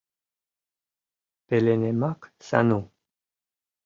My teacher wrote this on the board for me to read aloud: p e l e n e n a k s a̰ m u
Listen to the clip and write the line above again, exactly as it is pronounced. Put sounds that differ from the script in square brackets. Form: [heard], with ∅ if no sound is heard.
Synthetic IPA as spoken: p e l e n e [m] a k s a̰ [n] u